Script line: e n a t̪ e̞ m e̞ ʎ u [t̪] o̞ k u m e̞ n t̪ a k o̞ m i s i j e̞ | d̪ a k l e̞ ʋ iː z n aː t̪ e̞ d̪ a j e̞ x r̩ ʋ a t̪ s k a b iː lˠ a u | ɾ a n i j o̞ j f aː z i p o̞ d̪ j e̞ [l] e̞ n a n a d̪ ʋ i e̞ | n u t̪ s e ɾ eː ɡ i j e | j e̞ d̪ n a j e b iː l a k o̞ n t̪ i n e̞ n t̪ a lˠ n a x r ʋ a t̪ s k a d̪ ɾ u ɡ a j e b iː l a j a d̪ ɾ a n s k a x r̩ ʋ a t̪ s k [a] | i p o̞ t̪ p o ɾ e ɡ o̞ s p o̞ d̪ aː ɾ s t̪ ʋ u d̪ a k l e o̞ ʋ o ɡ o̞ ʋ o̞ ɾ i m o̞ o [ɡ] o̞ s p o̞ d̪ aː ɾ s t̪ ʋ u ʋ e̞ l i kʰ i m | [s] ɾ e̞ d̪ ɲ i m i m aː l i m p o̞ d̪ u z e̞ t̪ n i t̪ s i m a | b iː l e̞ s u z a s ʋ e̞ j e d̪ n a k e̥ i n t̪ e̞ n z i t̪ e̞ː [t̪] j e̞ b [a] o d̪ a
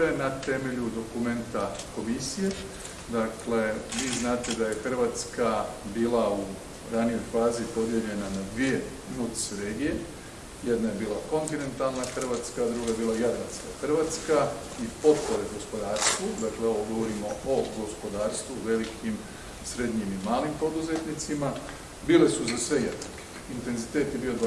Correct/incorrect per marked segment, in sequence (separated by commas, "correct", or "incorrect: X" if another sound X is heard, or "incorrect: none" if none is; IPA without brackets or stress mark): incorrect: d̪, incorrect: ʎ, correct, correct, correct, correct, incorrect: i